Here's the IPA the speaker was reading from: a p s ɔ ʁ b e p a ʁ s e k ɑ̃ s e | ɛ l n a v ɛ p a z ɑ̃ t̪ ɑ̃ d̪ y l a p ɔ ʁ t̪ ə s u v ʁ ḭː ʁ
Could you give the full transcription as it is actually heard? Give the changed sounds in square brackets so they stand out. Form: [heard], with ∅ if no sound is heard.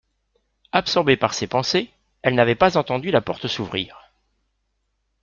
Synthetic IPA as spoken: a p s ɔ ʁ b e p a ʁ s e [p] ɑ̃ s e | ɛ l n a v ɛ p a z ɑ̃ t̪ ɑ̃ d̪ y l a p ɔ ʁ t̪ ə s u v ʁ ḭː ʁ